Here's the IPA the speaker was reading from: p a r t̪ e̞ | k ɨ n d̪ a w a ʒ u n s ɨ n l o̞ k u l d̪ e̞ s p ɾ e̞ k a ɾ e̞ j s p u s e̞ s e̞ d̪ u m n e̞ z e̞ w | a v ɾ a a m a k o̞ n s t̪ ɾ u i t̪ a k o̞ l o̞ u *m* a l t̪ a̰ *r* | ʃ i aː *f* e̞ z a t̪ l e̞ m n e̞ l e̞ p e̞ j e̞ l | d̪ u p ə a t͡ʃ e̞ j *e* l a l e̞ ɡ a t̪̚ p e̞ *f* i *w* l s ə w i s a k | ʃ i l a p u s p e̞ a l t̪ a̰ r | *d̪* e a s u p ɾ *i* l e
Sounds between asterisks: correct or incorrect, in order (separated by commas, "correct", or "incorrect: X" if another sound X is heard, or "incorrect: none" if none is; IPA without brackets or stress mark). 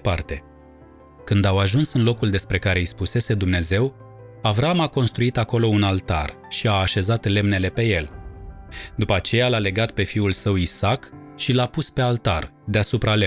incorrect: n, correct, incorrect: ʃ, incorrect: a, correct, incorrect: u, correct, incorrect: a